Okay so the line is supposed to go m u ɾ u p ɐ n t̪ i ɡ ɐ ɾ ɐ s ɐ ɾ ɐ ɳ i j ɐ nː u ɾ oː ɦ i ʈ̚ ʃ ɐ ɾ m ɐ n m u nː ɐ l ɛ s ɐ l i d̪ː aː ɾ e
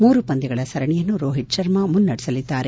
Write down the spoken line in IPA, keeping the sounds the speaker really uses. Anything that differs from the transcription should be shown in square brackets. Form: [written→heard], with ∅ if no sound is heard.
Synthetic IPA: m [u→uː] ɾ u p ɐ n [t̪→d̪] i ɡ ɐ [ɾ→ɭ] ɐ s ɐ ɾ ɐ ɳ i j ɐ nː u ɾ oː ɦ i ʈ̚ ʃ ɐ ɾ m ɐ [n→∅] m u nː ɐ [l→ɽ] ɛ s ɐ l i d̪ː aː ɾ e